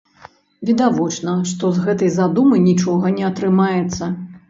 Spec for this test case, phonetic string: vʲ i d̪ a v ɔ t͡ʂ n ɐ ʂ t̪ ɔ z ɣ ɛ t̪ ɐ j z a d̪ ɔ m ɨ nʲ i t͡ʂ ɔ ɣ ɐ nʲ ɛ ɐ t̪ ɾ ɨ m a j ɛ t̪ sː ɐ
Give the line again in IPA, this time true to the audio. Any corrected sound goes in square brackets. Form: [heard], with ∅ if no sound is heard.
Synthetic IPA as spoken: vʲ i d̪ a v ɔ t͡ʂ n ɐ ʂ t̪ ɔ z ɣ ɛ t̪ ɐ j z a d̪ [u] m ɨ nʲ i t͡ʂ ɔ ɣ ɐ nʲ ɛ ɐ t̪ ɾ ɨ m a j ɛ t̪ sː ɐ